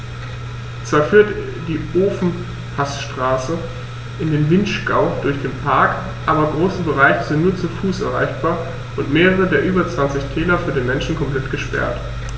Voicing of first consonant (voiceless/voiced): voiceless